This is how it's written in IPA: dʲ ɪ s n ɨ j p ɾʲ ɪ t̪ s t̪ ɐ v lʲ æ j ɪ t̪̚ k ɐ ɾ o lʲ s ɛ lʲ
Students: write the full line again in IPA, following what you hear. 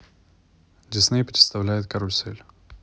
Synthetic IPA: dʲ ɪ s n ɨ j p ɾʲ ɪ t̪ s t̪ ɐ v lʲ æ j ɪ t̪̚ k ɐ ɾ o lʲ s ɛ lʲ

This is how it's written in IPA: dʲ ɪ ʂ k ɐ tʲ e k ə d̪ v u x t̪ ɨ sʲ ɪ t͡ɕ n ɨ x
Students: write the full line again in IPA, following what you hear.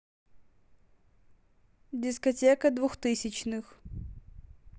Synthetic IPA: dʲ ɪ s k ɐ tʲ e k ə d̪ v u x t̪ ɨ sʲ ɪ t͡ɕ n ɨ x

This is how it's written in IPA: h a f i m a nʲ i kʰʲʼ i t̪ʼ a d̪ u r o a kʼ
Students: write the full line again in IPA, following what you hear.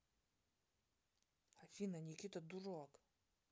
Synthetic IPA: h a f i n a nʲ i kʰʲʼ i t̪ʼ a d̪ u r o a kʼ

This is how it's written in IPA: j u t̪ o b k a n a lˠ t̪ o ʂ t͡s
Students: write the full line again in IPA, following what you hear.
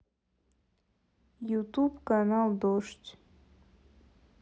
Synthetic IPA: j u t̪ u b k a n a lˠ d̪ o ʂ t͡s

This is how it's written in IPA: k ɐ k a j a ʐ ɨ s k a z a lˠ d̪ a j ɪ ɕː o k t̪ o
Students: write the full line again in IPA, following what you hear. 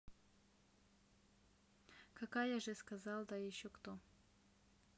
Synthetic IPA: k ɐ k a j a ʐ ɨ s k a z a lˠ d̪ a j ɪ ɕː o k t̪ o

